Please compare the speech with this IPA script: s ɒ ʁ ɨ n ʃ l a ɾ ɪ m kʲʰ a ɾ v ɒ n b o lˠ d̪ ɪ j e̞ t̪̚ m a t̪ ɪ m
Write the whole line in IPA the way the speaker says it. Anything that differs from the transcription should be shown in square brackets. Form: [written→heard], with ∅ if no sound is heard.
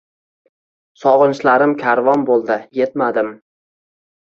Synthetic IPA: s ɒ ʁ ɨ n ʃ l a ɾ ɪ m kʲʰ a ɾ v ɒ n b o lˠ d̪ ɪ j e̞ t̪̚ m a [t̪→d̪] ɪ m